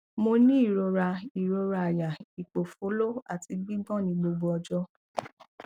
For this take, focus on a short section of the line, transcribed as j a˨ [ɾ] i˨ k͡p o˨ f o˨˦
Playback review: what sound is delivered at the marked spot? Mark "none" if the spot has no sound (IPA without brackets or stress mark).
none